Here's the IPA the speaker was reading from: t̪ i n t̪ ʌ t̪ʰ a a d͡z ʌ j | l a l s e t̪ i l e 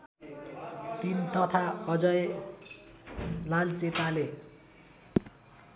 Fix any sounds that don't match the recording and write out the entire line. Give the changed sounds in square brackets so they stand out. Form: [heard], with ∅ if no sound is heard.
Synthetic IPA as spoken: t̪ i n t̪ ʌ t̪ʰ a [ʌ] d͡z ʌ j | l a l [t͡s] e t̪ [a] l e